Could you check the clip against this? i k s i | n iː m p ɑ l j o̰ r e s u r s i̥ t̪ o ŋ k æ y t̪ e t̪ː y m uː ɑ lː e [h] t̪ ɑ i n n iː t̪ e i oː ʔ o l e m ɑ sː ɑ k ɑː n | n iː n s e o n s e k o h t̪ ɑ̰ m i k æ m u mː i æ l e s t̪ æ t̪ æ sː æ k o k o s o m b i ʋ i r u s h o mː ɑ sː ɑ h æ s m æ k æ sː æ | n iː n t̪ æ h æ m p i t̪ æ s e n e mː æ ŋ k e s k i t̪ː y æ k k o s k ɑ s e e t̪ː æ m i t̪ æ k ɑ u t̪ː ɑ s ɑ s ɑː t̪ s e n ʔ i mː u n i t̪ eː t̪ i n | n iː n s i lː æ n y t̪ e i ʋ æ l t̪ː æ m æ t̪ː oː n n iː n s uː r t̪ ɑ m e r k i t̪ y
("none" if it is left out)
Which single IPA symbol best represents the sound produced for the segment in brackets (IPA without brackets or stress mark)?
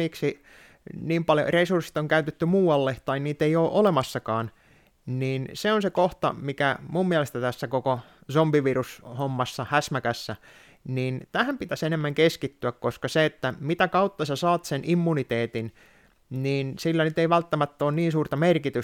h